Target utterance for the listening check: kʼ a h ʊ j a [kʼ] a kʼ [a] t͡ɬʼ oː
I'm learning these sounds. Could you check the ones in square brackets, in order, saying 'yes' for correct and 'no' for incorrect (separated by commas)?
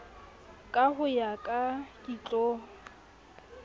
yes, no